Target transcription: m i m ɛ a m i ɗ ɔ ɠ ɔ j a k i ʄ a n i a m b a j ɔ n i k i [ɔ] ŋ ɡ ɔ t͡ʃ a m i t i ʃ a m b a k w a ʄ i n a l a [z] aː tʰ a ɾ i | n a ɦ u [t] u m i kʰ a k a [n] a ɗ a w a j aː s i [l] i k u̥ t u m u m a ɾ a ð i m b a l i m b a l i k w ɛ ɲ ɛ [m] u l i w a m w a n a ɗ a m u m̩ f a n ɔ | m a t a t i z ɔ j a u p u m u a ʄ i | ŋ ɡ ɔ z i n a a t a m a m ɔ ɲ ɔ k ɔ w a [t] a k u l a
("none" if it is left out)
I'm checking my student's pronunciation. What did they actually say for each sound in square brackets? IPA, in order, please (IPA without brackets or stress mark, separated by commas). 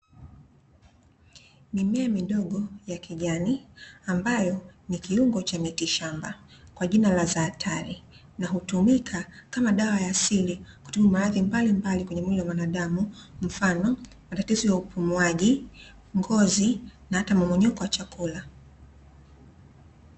u, z, t, m, l, m, t͡ʃ